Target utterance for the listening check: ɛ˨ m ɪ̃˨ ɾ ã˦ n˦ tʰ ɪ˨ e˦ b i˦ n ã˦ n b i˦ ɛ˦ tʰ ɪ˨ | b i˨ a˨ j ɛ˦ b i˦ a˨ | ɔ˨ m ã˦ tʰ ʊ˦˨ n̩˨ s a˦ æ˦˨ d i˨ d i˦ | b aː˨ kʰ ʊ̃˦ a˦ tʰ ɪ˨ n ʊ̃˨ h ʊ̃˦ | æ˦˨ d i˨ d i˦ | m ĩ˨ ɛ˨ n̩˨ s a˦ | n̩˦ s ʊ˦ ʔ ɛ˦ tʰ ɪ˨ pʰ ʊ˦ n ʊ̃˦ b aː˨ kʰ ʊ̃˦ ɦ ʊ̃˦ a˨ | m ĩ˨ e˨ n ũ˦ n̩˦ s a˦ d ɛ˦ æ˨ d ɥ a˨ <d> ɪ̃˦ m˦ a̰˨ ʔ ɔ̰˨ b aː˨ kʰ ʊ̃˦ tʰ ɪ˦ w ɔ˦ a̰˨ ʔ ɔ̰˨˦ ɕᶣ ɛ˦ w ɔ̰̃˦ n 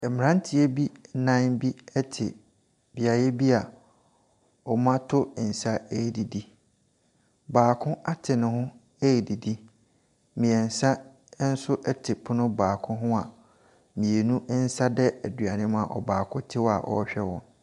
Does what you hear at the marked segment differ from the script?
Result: yes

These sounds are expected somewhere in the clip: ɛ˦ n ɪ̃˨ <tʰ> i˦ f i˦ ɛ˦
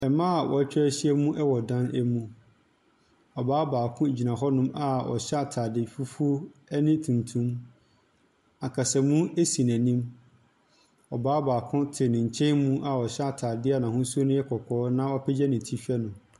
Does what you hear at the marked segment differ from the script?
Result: no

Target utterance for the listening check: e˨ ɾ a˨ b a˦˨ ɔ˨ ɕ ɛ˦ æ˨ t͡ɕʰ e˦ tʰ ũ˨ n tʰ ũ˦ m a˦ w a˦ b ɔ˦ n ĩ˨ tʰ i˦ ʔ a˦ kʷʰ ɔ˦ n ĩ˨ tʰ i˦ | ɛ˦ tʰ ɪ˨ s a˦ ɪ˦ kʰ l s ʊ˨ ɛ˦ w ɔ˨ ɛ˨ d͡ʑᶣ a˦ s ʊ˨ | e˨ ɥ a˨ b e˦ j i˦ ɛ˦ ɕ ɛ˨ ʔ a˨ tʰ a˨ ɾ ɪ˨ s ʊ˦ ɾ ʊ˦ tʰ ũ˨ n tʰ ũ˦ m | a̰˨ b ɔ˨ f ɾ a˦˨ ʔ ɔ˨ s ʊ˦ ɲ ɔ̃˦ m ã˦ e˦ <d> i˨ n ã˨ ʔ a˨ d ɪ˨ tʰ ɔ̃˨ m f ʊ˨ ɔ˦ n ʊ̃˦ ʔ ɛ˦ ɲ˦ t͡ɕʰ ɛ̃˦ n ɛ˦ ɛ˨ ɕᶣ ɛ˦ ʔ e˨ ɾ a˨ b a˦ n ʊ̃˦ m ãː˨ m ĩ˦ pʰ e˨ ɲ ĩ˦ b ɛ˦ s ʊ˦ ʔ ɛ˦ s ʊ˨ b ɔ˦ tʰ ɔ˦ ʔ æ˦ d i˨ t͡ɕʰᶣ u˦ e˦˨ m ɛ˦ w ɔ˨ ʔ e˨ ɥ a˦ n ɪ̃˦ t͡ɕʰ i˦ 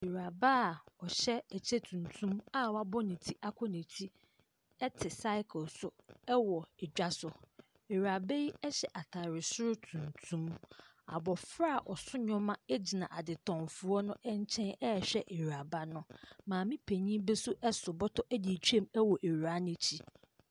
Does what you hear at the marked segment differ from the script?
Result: yes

